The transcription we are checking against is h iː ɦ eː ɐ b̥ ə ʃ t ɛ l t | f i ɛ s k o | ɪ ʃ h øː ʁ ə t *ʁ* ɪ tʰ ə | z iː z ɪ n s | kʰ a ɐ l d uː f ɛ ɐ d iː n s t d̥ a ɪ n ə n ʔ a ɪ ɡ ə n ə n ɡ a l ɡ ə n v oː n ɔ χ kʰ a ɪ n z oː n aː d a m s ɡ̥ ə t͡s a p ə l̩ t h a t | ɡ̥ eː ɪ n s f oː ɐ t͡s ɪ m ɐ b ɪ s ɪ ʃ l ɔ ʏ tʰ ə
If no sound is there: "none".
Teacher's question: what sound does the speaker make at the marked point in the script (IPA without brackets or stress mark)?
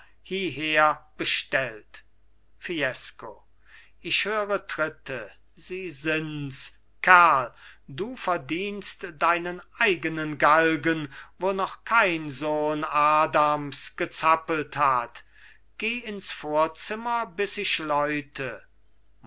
ʁ